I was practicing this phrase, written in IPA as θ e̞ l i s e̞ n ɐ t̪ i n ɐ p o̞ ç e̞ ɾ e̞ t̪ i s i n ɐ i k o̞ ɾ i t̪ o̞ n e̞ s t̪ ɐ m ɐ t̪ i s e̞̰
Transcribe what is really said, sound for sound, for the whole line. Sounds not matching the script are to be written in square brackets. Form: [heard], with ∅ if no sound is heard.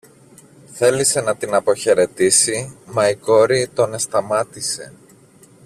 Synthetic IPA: θ e̞ l i s e̞ n ɐ t̪ i n ɐ p o̞ ç e̞ ɾ e̞ t̪ i s i [m] ɐ i k o̞ ɾ i t̪ o̞ n e̞ s t̪ ɐ m ɐ t̪ i s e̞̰